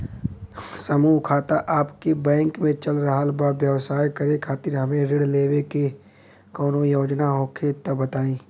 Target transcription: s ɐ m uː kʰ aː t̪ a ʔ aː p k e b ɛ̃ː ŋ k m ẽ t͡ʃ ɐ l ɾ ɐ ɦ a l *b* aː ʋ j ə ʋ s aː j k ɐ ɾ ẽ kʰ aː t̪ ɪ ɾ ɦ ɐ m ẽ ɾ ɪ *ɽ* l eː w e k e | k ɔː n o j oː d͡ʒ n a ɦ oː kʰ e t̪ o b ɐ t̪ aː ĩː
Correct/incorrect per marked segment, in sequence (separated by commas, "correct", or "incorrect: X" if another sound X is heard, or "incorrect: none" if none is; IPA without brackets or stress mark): correct, correct